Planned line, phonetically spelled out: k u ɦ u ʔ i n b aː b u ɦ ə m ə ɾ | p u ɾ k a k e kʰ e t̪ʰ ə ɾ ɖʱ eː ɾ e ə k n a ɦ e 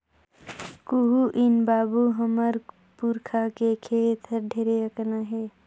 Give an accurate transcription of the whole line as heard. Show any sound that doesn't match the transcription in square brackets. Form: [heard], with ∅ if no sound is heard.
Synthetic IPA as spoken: k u ɦ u ʔ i n b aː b u ɦ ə m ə ɾ | p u ɾ [kʰ] a k e kʰ e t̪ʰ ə ɾ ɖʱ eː ɾ e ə k n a ɦ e

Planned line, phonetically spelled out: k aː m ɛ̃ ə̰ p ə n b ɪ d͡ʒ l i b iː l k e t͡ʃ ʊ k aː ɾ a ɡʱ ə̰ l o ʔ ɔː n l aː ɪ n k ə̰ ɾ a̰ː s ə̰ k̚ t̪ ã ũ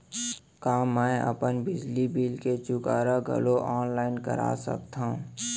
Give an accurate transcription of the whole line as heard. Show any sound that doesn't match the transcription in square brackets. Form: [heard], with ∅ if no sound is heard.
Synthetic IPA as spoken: k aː m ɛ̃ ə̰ p ə n b ɪ d͡ʒ l i b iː l k e t͡ʃ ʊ k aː ɾ a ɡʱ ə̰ l o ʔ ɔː n l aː ɪ n k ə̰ ɾ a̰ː s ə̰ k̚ t̪ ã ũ

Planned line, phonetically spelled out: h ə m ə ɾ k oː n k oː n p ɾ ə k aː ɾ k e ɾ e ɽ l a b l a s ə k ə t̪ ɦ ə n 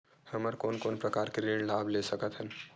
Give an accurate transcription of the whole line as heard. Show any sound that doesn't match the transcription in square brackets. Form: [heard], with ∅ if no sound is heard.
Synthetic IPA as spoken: h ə m ə ɾ k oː n k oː n p ɾ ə k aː ɾ k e ɾ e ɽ l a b l [e] s ə k ə t̪ ɦ ə n

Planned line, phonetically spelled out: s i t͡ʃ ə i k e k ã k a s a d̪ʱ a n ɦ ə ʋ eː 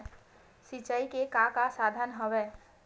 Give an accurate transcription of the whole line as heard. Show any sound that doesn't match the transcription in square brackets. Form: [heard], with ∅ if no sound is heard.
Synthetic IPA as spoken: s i t͡ʃ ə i k e k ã k a s a d̪ʱ [ə] n ɦ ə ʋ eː

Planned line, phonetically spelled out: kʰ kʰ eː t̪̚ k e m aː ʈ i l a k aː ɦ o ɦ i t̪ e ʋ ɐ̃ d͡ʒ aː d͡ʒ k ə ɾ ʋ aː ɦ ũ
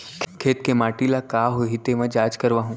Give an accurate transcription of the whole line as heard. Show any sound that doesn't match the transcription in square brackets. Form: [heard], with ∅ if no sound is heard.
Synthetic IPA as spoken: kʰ kʰ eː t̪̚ k e m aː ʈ i l a k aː ɦ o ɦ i t̪ e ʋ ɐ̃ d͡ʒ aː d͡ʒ k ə ɾ ʋ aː ɦ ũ

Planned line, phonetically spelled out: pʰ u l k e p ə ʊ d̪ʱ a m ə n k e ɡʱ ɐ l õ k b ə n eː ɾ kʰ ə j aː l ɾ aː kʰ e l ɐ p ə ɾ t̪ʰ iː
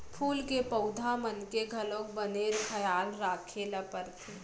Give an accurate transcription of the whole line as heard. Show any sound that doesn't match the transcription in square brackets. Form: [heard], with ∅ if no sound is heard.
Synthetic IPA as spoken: pʰ [uː] l k e p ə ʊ d̪ʱ a m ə n k e ɡʱ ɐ l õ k b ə n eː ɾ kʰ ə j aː l ɾ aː kʰ e l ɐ p ə ɾ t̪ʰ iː

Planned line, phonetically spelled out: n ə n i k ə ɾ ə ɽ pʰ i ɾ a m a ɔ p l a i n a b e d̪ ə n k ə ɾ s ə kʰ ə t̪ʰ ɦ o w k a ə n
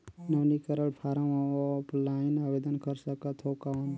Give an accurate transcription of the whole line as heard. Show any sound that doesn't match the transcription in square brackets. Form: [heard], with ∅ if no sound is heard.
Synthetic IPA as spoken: n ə n i k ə ɾ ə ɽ pʰ [a] ɾ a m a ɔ p l a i n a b e d̪ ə n k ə ɾ s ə [k] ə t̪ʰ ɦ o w k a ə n

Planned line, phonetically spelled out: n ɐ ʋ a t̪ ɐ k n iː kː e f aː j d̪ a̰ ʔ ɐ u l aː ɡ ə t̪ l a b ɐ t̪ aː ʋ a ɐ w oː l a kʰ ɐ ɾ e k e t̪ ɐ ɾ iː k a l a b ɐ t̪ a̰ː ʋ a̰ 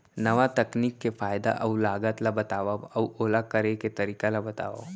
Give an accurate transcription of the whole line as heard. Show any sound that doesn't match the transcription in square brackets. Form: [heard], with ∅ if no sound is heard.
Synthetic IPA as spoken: n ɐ ʋ a t̪ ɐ k n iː kː e f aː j d̪ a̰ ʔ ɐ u l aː ɡ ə t̪ l a b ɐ t̪ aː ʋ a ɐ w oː l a [k] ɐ ɾ e k e t̪ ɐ ɾ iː k a l a b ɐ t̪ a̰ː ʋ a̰

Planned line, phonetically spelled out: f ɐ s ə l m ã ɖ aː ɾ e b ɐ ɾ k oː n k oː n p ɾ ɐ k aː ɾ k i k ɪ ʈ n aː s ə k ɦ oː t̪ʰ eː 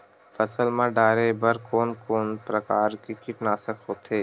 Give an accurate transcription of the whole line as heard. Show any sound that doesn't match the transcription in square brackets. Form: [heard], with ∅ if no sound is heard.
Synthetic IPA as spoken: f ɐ s ə l m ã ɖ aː ɾ e b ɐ ɾ k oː n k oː n p ɾ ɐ k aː ɾ k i k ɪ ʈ n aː s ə k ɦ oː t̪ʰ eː

